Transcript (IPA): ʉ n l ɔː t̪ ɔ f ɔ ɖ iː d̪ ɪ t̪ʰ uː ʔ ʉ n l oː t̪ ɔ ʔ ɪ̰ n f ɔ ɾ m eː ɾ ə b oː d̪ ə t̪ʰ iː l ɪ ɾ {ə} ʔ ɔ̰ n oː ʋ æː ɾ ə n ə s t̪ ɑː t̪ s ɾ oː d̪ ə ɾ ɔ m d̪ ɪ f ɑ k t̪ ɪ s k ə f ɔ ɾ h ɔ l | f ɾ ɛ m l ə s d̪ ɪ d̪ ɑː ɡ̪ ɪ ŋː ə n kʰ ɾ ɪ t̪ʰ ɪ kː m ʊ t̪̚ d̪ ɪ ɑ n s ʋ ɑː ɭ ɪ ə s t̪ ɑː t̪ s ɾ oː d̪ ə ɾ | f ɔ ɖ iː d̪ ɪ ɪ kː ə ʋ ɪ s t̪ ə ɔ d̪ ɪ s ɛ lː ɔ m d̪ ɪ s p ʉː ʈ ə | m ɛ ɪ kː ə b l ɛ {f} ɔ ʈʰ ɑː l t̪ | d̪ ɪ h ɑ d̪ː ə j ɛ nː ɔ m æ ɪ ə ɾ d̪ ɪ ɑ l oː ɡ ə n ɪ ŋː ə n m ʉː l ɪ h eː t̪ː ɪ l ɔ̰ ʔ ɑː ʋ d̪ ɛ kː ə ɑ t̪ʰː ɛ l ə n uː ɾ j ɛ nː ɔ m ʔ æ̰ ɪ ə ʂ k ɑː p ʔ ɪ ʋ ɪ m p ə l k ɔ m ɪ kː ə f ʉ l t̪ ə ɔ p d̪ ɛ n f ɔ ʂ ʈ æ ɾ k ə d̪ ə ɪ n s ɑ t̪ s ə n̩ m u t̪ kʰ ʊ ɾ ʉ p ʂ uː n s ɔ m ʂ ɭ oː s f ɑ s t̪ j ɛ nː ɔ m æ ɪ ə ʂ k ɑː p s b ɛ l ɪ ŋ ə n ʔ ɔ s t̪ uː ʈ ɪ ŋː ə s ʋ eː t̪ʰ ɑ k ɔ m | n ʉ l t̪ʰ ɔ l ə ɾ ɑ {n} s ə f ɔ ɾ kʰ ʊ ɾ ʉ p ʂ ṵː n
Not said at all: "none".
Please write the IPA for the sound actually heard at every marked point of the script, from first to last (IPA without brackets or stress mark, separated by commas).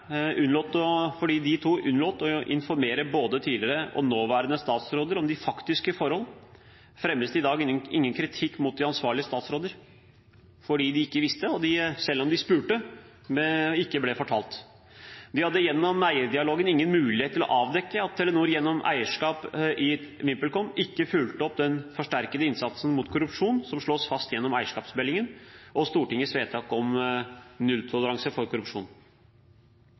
ə, f, ŋ